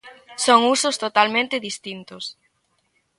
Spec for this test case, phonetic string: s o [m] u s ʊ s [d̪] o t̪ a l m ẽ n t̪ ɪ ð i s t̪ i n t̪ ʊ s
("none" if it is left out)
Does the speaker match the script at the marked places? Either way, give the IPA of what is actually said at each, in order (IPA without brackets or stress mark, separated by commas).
ŋ, t̪